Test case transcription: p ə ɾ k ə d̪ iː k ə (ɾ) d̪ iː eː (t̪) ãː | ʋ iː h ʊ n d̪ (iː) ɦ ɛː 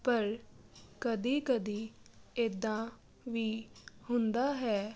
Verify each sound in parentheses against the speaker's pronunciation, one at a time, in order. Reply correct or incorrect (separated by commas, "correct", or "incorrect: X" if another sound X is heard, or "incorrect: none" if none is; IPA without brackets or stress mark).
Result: incorrect: none, incorrect: d̪, incorrect: aː